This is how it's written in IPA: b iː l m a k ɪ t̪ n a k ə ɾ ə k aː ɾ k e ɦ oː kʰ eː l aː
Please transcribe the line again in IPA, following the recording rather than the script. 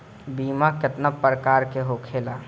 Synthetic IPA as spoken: b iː m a k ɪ t̪ n a p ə ɾ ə k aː ɾ k e ɦ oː kʰ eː l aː